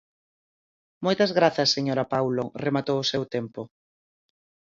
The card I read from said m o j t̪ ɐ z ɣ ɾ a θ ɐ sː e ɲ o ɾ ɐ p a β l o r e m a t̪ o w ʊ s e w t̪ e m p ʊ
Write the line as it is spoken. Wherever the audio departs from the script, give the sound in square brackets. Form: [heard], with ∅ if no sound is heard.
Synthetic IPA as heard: m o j t̪ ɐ z ɣ ɾ a θ ɐ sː e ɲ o ɾ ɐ p a [w] l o r e m a t̪ o w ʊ s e w t̪ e m p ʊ